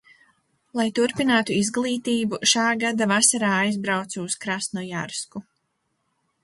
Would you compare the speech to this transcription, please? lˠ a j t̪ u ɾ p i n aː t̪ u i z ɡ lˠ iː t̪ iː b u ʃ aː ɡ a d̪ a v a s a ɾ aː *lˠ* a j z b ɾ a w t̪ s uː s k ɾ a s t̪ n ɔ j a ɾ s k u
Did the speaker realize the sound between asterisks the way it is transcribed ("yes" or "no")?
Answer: no